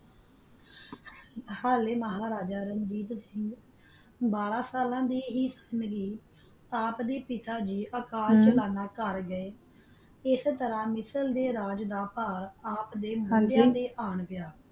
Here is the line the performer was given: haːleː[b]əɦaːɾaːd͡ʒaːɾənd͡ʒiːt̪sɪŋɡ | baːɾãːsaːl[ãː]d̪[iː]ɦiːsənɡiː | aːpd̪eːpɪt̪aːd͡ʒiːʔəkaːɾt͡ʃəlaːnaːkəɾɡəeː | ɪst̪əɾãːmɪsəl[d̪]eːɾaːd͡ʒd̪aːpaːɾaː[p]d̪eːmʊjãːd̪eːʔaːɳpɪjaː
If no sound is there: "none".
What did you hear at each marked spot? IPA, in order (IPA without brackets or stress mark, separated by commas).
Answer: m, ãː, iː, d̪, p